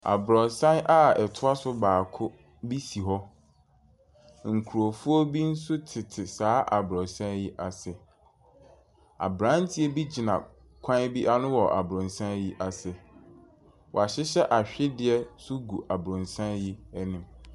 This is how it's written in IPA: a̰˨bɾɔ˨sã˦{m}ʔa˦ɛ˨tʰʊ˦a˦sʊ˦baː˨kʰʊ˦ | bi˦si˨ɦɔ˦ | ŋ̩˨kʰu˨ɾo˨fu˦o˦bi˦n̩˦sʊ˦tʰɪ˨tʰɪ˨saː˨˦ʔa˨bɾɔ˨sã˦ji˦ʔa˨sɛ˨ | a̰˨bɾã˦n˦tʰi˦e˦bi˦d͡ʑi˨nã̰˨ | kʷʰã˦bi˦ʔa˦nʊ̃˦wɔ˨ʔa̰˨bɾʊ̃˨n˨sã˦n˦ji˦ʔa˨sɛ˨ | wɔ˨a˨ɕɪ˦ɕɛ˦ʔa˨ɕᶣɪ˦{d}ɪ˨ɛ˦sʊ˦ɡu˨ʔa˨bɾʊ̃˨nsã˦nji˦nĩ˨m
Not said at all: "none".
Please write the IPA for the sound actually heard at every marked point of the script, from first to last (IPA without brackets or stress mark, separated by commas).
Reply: n, d